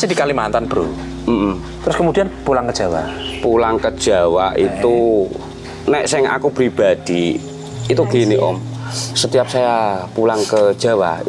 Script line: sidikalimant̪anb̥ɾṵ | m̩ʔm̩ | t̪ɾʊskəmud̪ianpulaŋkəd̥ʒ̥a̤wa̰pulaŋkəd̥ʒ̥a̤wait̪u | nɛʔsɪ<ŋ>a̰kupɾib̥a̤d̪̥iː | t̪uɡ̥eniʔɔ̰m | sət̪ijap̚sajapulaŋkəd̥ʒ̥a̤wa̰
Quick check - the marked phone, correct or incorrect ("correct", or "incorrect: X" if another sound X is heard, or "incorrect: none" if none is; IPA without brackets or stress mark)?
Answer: correct